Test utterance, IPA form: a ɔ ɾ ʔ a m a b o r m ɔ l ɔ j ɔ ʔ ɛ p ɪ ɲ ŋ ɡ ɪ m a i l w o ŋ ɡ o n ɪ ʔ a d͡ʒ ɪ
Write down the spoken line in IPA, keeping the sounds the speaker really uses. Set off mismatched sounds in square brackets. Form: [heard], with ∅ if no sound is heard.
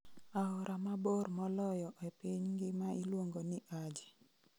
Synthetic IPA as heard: a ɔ ɾ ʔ a m a b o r m ɔ l ɔ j ɔ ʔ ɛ p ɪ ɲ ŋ ɡ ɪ m a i l w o ŋ ɡ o n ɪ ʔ a d͡ʒ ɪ